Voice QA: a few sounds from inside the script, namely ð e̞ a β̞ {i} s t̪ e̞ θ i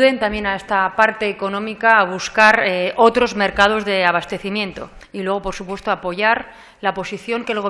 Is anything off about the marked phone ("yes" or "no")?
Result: yes